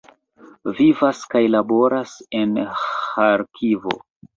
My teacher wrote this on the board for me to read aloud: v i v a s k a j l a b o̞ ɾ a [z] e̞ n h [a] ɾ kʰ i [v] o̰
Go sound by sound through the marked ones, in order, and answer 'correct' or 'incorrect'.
incorrect: s, correct, correct

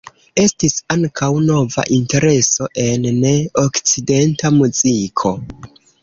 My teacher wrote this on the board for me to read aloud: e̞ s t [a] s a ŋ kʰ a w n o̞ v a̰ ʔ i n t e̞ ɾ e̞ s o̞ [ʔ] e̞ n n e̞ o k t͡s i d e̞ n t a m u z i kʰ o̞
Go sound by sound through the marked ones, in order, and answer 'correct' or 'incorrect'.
incorrect: i, correct

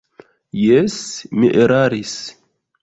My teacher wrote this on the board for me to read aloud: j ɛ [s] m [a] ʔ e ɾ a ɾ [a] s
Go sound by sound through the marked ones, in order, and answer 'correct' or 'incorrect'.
correct, incorrect: i, incorrect: i

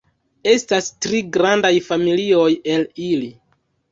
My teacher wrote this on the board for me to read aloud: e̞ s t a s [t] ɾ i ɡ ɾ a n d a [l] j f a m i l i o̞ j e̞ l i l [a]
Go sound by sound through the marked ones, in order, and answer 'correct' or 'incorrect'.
correct, incorrect: none, incorrect: i

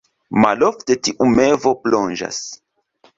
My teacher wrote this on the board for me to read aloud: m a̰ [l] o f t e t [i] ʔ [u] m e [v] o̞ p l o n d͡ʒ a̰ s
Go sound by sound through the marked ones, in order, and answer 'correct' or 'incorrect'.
correct, correct, correct, correct

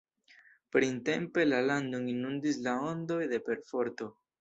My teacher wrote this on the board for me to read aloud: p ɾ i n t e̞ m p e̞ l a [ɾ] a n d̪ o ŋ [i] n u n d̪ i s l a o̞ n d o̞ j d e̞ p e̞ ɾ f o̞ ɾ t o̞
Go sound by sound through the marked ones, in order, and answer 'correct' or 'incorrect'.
incorrect: l, correct

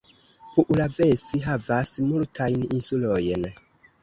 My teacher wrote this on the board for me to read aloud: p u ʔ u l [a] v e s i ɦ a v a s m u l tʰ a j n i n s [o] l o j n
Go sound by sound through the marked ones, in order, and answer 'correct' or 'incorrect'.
correct, incorrect: u

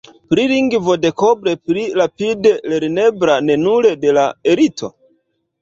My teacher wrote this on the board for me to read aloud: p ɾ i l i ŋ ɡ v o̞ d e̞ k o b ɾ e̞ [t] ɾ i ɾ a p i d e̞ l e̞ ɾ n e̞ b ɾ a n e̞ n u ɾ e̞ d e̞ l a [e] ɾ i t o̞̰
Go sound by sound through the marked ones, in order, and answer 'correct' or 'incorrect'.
incorrect: p, correct

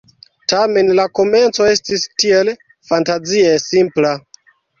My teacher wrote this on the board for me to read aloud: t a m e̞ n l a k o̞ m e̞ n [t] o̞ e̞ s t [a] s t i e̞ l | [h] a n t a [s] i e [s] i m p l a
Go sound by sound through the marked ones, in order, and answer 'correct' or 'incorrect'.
incorrect: t͡s, incorrect: i, incorrect: f, incorrect: z, correct

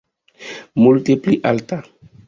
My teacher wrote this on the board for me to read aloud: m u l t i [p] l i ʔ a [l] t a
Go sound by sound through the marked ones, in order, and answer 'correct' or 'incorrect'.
correct, correct

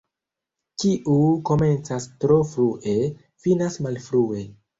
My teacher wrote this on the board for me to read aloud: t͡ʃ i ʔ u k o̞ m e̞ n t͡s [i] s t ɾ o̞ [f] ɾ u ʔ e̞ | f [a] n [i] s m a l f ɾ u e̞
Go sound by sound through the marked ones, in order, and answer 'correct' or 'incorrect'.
incorrect: a, correct, incorrect: i, incorrect: a

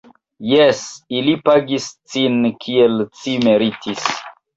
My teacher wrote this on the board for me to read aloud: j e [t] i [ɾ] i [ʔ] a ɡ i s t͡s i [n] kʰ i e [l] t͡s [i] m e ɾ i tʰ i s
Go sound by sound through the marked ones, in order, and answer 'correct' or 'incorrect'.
incorrect: s, incorrect: l, incorrect: p, correct, correct, correct

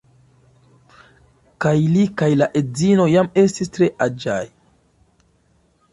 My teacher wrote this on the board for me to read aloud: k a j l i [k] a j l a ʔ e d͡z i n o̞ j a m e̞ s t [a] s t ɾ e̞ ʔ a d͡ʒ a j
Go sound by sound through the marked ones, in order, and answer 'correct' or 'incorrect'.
correct, incorrect: i

